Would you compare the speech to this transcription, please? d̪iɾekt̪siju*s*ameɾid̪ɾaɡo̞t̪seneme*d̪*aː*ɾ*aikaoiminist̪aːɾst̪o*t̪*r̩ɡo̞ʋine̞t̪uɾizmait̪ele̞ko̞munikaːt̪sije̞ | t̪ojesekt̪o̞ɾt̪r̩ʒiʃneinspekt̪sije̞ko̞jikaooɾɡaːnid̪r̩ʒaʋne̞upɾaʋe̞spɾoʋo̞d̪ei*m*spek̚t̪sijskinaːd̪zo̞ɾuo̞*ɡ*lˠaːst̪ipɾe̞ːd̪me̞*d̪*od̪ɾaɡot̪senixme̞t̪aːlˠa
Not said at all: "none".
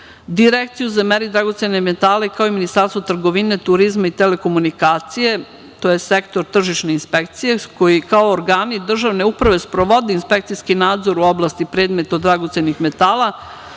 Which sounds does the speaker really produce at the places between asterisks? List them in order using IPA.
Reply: z, t̪, l, t̪, n, b, t̪

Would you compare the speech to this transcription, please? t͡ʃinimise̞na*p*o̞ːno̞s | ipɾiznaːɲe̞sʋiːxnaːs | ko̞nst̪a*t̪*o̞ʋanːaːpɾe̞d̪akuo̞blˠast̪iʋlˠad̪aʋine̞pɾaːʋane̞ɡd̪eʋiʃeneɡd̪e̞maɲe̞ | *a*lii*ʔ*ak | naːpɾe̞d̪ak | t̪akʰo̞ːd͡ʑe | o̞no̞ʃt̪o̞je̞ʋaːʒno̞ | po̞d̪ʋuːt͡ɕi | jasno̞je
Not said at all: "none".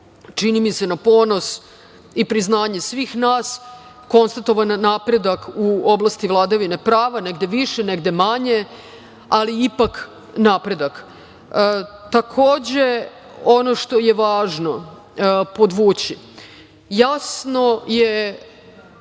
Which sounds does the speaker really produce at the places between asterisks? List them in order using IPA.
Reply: p, t̪, a, p

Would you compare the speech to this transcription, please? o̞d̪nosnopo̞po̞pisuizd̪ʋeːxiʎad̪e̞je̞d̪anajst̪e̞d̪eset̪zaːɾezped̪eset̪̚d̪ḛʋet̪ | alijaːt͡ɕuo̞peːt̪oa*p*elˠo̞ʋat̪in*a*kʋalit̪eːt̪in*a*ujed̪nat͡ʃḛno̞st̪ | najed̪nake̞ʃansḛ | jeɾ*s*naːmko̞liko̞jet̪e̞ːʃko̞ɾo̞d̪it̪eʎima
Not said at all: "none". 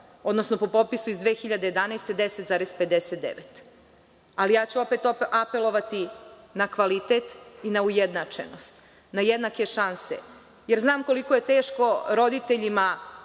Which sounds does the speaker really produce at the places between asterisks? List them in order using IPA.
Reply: p, a, a, z

